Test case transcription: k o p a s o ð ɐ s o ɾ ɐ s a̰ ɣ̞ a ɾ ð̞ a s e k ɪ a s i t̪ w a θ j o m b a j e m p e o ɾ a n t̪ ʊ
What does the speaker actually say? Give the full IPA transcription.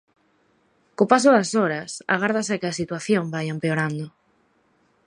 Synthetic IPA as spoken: k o p a s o ð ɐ s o ɾ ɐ s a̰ ɣ̞ a ɾ ð̞ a s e k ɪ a s i t̪ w a θ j o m b a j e m p e o ɾ a n d̪ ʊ

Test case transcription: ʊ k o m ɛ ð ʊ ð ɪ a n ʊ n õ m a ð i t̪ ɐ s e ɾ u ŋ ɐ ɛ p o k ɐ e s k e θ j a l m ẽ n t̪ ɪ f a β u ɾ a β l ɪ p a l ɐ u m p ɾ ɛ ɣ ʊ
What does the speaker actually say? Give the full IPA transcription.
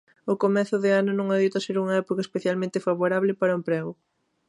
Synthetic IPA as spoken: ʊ k o m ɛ θ ʊ ð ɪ a n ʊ n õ ŋ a ð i t̪ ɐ s e ɾ u ŋ ɐ ɛ p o k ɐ e s p e θ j a l m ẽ n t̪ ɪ f a β o ɾ a β l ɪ p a ɾ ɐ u m p ɾ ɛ ɣ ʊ

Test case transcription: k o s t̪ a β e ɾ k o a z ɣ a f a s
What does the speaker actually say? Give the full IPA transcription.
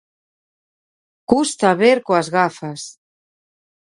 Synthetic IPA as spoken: k u s t̪ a β e ɾ k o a z ɣ a f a s

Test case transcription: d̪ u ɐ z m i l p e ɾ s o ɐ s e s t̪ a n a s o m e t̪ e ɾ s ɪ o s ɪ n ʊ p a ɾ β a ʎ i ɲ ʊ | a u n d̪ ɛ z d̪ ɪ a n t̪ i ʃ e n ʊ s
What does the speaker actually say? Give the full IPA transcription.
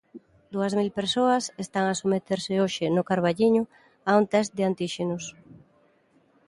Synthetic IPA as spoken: d̪ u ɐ z m i l p e ɾ s o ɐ s e s t̪ a ŋ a s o m e t̪ e ɾ s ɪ o ʃ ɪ n ʊ k a ɾ β a ʎ i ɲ ʊ | a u n t̪ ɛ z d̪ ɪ a n t̪ i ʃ e n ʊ s

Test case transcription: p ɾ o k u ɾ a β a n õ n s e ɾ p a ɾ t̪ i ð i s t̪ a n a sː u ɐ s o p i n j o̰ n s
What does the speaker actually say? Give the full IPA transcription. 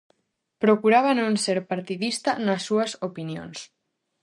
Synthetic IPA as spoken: p ɾ o k u ɾ a β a n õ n s e ɾ p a ɾ t̪ i ð i s t̪ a n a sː u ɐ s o p i n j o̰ n s

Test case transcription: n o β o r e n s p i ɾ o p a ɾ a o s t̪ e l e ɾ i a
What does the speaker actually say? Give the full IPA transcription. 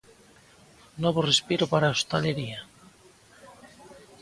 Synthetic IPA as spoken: n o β o r e s p i ɾ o p a ɾ a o s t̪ a l e ɾ i a

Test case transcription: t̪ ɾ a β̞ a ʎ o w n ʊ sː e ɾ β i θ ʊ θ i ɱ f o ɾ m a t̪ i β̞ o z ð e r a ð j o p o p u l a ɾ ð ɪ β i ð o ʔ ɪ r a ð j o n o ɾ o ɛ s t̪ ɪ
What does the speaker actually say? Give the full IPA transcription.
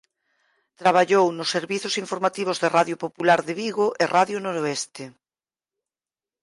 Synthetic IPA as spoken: t̪ ɾ a β̞ a ʎ o w n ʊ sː e ɾ β i θ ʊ s i ɱ f o ɾ m a t̪ i β̞ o z ð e r a ð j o p o p u l a ɾ ð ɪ β i ɣ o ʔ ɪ r a ð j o n o ɾ o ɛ s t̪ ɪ

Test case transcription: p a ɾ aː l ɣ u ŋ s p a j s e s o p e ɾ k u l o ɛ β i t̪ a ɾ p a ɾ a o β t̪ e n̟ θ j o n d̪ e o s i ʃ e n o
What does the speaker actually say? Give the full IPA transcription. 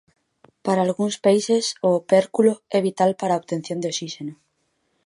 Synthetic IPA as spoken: p a ɾ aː l ɣ u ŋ s p a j s e s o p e ɾ k u l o ɛ β i t̪ a l p a ɾ a o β t̪ e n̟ θ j o n d̪ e o s i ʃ e n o

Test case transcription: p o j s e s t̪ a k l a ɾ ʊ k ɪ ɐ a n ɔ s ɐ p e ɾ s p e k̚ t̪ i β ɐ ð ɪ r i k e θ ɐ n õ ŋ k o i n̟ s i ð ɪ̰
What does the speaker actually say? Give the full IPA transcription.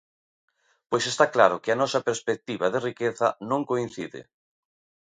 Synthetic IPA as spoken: p o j s e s t̪ a k l a ɾ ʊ k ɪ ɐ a n ɔ s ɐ p e ɾ s p e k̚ t̪ i β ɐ ð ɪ r i k e θ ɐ n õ ŋ k o i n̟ θ i ð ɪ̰

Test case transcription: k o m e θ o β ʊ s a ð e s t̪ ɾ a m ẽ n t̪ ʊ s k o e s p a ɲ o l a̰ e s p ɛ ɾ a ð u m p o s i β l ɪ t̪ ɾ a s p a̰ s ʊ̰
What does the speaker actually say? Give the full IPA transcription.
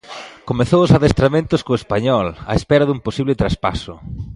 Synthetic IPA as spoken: k o m e θ o w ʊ s a ð e s t̪ ɾ a m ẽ n t̪ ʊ s k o e s p a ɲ ɔ l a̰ e s p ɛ ɾ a ð u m p o s i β l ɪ t̪ ɾ a s p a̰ s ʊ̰

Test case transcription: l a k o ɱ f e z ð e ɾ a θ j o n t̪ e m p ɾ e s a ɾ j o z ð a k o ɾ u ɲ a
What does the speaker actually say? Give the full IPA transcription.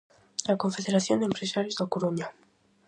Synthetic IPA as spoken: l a k o ɱ f e ð e ɾ a θ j o n d̪ e m p ɾ e s a ɾ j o z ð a k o ɾ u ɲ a

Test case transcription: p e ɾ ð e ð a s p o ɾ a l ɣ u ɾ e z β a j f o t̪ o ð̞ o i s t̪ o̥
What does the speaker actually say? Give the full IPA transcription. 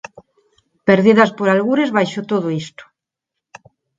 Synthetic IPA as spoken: p e ɾ ð i ð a s p o ɾ a l ɣ u ɾ e z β a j ʃ o t̪ o ð̞ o i s t̪ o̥

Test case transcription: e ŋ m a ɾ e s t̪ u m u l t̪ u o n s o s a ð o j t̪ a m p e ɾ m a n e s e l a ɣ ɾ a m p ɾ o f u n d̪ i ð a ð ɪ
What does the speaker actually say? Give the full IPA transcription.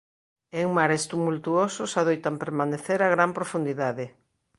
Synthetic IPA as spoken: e ŋ m a ɾ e s t̪ u m u l t̪ u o s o s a ð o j t̪ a m p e ɾ m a n e θ e ɾ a ɣ ɾ a m p ɾ o f u n d̪ i ð a ð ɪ

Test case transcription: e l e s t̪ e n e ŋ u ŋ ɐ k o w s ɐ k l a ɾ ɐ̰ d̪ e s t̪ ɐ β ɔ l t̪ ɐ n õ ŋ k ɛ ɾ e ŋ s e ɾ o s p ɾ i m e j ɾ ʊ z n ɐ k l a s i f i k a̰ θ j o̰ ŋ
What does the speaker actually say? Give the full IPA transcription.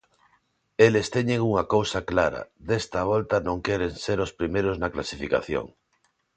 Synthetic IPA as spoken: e l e s t̪ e ɲ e ŋ u ŋ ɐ k o w s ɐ k l a ɾ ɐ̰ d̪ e s t̪ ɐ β ɔ l t̪ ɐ n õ ŋ k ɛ ɾ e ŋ s e ɾ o s p ɾ i m e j ɾ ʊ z n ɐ k l a s i f i k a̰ θ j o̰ ŋ

